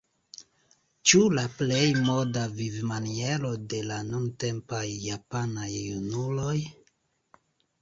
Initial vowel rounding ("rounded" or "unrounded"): rounded